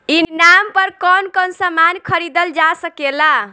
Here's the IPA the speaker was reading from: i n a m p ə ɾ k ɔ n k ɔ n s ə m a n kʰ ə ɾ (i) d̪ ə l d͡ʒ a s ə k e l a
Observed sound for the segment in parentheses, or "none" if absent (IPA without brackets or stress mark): i